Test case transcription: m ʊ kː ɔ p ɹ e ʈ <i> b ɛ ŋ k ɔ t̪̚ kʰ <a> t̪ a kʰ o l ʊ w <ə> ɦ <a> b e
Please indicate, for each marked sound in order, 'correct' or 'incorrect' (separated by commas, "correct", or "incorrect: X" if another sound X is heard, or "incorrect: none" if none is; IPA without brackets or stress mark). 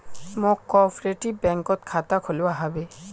correct, correct, incorrect: a, correct